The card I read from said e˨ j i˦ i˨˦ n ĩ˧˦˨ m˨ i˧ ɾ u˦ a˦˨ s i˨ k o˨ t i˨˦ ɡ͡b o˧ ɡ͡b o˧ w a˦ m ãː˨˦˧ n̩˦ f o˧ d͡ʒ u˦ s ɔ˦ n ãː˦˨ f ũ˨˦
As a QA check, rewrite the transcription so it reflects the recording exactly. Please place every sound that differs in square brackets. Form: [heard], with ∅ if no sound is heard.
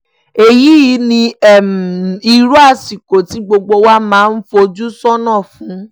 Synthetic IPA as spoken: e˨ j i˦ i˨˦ n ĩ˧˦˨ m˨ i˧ ɾ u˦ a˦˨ s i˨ k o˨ t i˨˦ ɡ͡b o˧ ɡ͡b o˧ w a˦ m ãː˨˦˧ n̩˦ f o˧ d͡ʒ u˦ s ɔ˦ n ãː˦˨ f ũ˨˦

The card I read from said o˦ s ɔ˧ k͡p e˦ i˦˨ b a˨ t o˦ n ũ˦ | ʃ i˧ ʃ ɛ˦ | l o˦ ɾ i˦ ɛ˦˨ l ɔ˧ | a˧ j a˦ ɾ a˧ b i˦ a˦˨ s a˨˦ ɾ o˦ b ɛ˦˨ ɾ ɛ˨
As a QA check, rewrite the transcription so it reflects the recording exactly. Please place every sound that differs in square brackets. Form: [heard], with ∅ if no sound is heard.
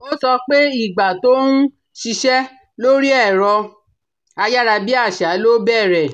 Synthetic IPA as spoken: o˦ s ɔ˧ k͡p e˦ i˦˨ [ɡ͡b] a˨ t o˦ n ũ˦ | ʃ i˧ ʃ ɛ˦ | l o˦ ɾ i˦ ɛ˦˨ [ɾ] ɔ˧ | a˧ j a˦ ɾ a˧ b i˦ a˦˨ [ʃ] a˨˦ [l] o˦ b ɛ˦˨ ɾ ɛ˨

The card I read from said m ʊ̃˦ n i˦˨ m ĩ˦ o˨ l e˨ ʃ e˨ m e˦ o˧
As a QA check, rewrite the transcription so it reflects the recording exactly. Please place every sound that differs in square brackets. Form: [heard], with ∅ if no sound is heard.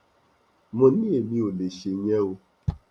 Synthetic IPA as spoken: m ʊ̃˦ n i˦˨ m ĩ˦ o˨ l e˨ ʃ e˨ [ɲ] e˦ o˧

